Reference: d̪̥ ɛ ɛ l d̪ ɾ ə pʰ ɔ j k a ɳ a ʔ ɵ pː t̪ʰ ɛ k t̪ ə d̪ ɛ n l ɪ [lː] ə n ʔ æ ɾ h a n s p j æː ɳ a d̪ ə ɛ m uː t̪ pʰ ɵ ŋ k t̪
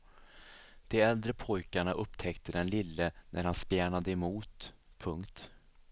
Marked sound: correct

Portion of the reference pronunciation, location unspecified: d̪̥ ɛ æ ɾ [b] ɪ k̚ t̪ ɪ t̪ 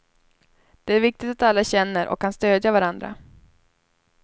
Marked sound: incorrect: v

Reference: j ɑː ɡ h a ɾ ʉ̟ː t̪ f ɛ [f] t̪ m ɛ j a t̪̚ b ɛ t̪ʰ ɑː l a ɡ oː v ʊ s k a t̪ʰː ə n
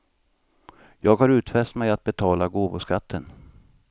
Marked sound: incorrect: s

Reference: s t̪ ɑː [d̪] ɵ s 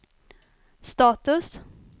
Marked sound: incorrect: t̪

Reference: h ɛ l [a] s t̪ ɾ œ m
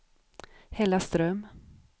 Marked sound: correct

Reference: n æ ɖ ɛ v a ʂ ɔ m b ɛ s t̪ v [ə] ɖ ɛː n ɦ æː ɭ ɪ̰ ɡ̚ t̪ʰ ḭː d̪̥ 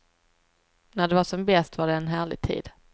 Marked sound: incorrect: a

